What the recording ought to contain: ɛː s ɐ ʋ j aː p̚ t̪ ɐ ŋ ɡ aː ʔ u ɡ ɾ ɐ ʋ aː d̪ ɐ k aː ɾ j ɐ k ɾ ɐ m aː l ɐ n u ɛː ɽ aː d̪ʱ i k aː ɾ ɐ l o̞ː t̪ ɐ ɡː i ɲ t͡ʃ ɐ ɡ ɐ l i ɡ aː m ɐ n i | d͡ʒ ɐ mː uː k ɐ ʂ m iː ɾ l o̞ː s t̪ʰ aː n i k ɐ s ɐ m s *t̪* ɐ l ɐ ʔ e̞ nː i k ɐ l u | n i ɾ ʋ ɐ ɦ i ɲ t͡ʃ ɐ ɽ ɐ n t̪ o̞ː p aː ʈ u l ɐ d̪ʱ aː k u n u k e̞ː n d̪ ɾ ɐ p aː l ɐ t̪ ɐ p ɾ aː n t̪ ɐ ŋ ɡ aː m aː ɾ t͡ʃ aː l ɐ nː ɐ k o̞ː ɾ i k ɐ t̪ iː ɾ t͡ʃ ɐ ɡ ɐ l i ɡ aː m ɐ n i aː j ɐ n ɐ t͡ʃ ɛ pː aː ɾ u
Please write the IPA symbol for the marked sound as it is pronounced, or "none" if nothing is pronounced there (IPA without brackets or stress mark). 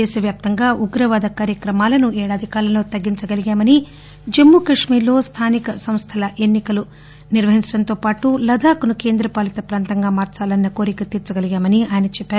t̪ʰ